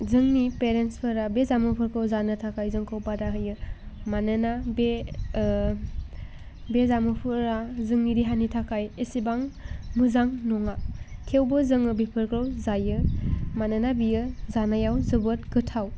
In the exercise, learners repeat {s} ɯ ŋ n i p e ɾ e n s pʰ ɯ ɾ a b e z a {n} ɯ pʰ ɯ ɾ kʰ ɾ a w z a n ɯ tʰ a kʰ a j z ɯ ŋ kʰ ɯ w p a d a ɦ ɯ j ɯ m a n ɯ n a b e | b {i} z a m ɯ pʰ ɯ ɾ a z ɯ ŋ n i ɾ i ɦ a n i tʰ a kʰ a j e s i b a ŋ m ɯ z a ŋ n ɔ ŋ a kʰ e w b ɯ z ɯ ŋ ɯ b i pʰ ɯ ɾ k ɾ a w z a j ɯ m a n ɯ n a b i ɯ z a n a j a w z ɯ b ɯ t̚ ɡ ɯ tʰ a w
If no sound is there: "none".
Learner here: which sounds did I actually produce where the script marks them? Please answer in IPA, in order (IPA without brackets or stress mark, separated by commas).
z, m, e